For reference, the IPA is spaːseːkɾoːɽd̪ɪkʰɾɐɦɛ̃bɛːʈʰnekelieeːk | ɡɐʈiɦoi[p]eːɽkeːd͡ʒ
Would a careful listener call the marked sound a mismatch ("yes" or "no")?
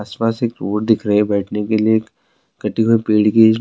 no